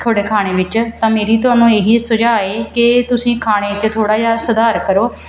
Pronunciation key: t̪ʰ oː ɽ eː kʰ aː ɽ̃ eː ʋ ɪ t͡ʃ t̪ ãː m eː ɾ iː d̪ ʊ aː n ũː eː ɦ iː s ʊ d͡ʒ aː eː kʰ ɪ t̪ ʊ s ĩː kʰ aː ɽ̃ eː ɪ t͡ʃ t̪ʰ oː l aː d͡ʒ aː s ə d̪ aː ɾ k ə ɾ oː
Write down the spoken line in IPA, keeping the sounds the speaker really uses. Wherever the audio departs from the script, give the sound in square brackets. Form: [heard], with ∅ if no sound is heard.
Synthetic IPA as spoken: t̪ʰ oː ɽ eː kʰ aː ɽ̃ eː ʋ ɪ t͡ʃ t̪ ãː m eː ɾ iː [t̪] ʊ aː n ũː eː ɦ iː s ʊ d͡ʒ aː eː [k] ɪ t̪ ʊ s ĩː kʰ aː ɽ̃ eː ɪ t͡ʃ t̪ʰ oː [ɽ] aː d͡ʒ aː s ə d̪ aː ɾ k ə ɾ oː